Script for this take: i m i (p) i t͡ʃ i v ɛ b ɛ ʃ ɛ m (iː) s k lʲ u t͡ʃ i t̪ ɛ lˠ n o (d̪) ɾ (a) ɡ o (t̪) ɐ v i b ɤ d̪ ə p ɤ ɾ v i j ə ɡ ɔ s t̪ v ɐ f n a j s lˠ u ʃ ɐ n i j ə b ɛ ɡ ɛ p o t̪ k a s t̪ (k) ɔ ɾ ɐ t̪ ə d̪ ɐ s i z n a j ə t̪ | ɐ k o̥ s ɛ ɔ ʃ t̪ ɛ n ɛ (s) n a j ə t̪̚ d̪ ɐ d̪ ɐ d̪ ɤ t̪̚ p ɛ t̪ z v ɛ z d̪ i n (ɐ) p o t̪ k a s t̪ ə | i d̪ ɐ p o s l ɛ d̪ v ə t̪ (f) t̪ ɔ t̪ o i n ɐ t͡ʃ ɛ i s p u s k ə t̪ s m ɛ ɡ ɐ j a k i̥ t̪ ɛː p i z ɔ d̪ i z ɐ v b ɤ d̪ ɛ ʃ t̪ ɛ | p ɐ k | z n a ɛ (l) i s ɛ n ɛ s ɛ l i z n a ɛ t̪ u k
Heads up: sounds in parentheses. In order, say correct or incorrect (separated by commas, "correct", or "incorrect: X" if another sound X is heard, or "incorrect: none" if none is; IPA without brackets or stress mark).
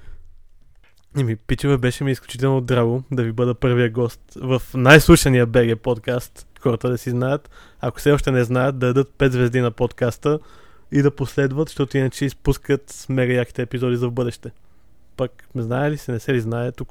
correct, correct, correct, correct, incorrect: d̪, incorrect: x, incorrect: z, correct, incorrect: ʃ, correct